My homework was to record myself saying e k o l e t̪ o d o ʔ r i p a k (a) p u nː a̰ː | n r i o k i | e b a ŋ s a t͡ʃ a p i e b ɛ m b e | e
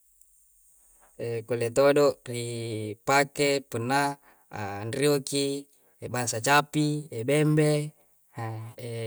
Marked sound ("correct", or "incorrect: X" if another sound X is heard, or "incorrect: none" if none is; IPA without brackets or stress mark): incorrect: e